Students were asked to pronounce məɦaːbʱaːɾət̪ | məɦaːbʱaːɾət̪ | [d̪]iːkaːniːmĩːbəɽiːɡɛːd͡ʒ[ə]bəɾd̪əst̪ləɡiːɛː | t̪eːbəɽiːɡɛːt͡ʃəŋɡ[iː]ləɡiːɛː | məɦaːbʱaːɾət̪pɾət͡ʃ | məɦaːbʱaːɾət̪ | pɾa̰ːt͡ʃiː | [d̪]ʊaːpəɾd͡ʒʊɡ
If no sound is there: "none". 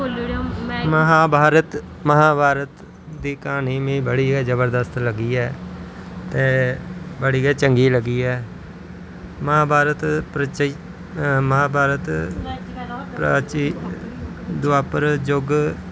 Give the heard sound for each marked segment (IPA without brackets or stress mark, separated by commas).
d̪, ə, iː, d̪